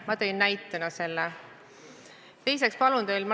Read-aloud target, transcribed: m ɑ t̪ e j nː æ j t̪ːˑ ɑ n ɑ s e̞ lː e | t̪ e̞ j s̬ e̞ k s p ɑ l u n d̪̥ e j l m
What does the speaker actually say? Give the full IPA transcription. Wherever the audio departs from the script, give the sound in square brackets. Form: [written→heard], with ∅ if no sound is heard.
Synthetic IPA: m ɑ t̪ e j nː æ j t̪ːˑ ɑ n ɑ s e̞ lː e | t̪ e̞ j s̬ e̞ k s p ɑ l u n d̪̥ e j l m